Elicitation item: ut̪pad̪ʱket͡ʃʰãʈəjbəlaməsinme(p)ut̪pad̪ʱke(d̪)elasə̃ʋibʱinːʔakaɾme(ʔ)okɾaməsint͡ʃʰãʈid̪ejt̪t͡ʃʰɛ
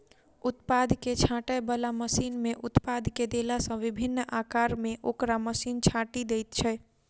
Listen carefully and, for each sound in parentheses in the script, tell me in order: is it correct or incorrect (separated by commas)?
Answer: incorrect, correct, correct